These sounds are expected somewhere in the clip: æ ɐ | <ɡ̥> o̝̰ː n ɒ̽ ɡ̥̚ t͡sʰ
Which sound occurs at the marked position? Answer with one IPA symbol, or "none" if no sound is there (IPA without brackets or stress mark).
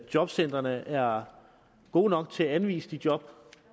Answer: ɡ̥